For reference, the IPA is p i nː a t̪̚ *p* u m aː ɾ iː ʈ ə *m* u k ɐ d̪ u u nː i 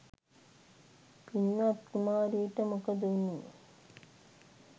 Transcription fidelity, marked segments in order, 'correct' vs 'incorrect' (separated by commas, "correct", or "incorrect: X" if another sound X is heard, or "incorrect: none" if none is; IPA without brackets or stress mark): incorrect: k, correct